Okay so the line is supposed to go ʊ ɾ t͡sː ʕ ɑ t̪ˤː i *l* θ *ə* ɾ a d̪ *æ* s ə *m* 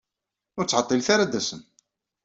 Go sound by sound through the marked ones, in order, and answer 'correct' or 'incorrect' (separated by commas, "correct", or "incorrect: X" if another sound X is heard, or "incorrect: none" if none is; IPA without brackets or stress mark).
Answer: correct, incorrect: a, correct, incorrect: n